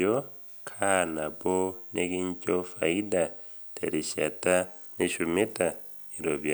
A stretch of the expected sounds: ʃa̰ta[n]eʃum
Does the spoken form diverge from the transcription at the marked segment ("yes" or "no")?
no